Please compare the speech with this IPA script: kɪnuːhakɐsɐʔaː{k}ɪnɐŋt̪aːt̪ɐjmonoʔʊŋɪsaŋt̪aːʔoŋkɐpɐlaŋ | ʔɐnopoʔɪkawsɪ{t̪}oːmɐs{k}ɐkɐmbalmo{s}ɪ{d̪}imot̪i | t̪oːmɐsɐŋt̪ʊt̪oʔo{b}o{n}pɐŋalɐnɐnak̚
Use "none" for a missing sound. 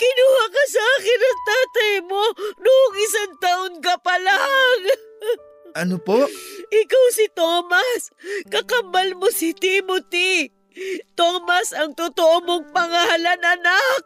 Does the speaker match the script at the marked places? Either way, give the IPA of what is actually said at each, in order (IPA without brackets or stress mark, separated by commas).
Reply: k, t̪, k, s, t̪, m, ŋ